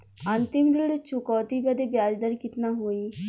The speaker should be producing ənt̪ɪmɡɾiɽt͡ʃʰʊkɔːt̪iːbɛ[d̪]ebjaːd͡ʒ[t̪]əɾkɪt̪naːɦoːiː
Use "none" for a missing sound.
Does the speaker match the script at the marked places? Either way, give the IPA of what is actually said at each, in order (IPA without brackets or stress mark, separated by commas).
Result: d̪, d̪